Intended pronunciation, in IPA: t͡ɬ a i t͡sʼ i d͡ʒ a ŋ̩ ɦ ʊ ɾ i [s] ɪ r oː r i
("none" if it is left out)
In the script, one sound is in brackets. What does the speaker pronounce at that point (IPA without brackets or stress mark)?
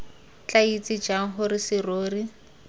s